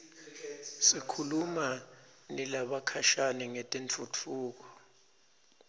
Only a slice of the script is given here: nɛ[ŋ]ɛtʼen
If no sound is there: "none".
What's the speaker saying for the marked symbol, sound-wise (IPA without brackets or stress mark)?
ŋ